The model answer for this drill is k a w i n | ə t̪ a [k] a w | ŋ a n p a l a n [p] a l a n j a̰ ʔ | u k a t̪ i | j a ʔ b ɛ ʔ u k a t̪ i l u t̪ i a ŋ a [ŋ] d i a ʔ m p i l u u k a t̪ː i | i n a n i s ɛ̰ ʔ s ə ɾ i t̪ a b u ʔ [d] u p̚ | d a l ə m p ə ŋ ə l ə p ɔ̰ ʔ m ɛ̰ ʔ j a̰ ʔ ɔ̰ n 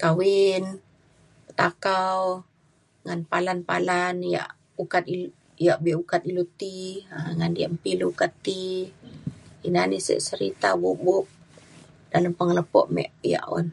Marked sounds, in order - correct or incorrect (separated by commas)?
correct, correct, incorrect, incorrect